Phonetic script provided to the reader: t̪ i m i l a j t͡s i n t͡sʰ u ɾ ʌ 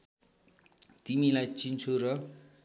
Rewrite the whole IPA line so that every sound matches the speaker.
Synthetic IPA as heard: t̪ i m i l a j t͡s i n t͡sʰ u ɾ ʌ